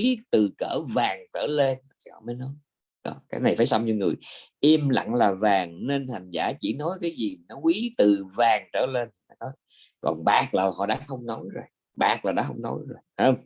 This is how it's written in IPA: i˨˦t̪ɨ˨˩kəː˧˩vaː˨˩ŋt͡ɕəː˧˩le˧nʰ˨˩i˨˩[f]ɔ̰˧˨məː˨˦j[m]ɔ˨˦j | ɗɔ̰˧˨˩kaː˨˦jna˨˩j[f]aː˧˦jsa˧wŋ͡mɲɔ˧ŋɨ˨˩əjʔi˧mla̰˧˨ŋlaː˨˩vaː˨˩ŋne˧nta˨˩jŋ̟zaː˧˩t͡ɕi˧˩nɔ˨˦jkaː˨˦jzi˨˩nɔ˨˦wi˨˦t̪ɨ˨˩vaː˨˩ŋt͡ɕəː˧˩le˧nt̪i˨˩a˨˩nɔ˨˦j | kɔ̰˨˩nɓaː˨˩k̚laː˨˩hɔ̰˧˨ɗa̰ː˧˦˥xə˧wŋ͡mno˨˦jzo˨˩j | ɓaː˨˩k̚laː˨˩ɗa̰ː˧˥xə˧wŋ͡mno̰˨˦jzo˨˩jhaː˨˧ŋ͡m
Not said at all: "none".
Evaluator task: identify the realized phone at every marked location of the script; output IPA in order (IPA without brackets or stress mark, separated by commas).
h, n, f